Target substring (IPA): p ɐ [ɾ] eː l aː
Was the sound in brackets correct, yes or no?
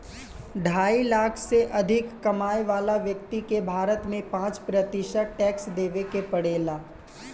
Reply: no